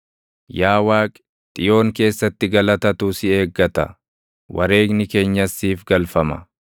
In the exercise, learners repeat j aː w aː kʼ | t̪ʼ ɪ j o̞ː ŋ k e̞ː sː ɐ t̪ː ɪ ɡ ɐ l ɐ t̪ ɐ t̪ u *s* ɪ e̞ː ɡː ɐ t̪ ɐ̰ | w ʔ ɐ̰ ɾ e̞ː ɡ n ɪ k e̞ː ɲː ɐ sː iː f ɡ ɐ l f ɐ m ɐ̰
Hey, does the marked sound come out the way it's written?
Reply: yes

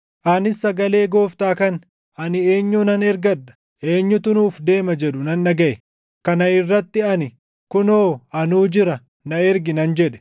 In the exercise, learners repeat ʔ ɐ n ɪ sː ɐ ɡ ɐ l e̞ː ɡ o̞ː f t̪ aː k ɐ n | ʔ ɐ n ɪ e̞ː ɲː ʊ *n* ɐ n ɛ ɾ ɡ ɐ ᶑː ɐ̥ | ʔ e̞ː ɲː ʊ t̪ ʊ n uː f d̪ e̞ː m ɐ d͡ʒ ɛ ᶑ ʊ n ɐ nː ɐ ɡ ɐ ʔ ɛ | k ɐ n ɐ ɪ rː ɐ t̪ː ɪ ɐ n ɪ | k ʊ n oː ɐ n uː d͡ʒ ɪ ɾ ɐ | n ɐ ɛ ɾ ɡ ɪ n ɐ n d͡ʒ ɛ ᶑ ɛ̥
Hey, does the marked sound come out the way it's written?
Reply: yes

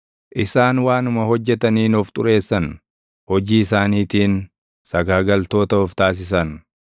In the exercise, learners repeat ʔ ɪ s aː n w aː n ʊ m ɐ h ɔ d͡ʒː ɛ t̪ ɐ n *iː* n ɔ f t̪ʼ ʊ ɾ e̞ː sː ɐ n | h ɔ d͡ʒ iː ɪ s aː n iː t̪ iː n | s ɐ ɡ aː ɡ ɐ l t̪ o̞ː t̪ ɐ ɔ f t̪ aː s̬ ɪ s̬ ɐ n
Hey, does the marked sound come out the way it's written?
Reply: yes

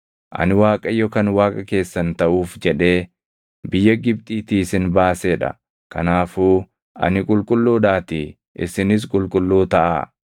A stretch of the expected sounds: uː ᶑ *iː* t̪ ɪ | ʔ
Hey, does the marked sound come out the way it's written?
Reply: no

